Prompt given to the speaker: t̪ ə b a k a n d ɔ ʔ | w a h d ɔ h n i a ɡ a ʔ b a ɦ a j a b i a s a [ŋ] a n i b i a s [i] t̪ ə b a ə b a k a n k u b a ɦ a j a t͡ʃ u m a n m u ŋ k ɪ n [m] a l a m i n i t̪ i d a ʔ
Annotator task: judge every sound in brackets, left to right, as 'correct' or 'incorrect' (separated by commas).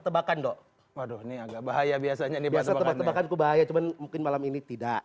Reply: incorrect, incorrect, correct